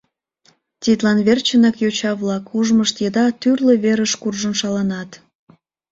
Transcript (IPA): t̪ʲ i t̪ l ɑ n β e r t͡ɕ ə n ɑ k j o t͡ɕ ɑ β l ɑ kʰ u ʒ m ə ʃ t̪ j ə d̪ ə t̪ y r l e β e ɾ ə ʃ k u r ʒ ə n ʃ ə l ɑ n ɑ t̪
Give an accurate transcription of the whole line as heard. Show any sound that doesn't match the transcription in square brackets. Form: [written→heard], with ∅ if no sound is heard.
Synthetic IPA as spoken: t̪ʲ i t̪ l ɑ n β e r t͡ɕ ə n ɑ k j o t͡ɕ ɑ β l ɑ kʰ u ʒ m ə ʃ t̪ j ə d̪ [ə→ɑ] t̪ y r l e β e ɾ ə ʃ k u r ʒ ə n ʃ [ə→ɑ] l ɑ n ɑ t̪